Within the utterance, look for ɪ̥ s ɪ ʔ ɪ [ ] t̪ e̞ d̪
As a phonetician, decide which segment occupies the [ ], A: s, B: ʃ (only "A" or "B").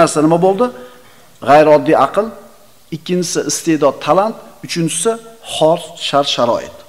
A